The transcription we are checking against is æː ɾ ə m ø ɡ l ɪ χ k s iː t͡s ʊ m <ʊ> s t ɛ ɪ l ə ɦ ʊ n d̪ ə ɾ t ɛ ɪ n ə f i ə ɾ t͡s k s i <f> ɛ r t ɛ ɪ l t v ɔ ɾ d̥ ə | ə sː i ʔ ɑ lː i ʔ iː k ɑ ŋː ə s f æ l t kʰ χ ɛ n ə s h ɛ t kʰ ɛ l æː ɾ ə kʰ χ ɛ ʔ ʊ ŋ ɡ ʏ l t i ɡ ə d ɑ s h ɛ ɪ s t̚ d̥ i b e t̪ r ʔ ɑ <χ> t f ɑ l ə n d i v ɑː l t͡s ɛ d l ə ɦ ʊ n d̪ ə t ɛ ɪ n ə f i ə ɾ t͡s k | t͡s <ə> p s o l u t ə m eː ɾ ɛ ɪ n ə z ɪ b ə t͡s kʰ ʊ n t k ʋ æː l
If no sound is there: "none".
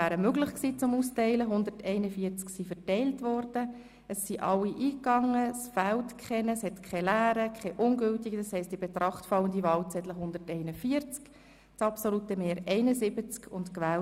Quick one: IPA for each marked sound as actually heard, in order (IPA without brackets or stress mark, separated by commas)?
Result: u, f, χ, ɑ